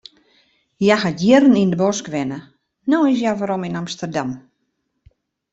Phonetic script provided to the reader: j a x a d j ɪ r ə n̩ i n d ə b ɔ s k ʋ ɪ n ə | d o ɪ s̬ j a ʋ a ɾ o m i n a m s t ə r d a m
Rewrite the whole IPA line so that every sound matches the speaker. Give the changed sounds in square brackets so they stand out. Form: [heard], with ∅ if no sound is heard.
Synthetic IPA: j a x a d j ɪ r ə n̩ i n d ə b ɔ s k ʋ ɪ n ə | [n] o ɪ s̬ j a ʋ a ɾ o m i n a m s t ə r d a m